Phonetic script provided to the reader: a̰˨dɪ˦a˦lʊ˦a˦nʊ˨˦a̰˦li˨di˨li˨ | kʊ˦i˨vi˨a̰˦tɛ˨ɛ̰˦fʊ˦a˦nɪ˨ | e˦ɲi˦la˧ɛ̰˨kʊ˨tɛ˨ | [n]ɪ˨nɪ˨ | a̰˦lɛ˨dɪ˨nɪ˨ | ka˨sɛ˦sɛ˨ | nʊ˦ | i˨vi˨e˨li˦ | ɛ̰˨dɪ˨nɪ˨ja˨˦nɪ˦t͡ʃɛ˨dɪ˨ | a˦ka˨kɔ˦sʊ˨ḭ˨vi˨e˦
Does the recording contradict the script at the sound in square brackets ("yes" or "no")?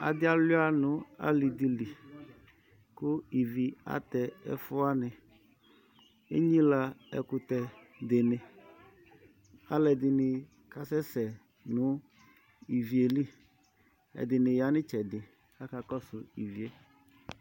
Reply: yes